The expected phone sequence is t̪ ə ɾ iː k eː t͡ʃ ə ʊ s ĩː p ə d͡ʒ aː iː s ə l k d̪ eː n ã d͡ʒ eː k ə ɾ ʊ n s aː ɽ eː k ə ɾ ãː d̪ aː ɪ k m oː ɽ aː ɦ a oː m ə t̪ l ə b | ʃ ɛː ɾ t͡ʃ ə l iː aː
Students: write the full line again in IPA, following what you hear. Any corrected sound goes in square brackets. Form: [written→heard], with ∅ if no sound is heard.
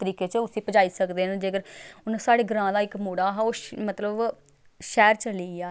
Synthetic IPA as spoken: t̪ ə ɾ iː k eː t͡ʃ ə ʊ s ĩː p ə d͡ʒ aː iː s ə [l→∅] k d̪ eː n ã d͡ʒ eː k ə ɾ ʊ n s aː ɽ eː [k→ɡ] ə ɾ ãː d̪ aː ɪ k m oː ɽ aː ɦ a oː m ə t̪ l ə b | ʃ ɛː ɾ t͡ʃ ə l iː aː